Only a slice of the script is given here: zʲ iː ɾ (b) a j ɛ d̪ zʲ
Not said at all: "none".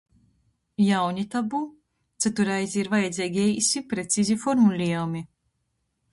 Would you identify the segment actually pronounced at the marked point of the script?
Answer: v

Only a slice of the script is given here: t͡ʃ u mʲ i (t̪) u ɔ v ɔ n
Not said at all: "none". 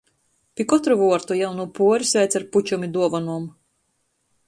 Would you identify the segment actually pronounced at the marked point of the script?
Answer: d̪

